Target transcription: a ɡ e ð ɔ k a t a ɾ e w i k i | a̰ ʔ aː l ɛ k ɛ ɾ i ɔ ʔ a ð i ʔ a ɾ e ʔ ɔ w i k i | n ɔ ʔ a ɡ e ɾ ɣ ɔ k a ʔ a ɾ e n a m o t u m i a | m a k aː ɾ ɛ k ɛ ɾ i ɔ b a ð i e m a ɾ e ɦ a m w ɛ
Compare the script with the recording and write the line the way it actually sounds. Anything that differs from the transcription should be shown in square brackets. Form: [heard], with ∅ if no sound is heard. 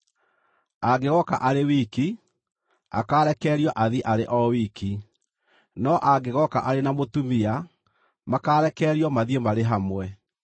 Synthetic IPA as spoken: a ɡ e [ɣ] ɔ k a [ʔ] a ɾ e w i k i | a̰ [k] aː [ɾ] ɛ k ɛ ɾ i ɔ ʔ a ð i ʔ a ɾ e ʔ ɔ w i k i | n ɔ ʔ a ɡ e [∅] ɣ ɔ k a ʔ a ɾ e n a m o t u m i a | m a k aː ɾ ɛ k ɛ ɾ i ɔ [m] a ð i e m a ɾ e ɦ a m w ɛ